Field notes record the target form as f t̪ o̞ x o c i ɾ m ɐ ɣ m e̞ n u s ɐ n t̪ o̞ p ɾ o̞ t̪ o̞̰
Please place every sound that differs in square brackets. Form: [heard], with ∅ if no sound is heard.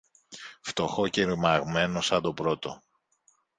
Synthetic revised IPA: f t̪ o̞ x o c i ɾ m ɐ ɣ m e̞ n [o] s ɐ n [d̪] o̞ p ɾ o̞ t̪ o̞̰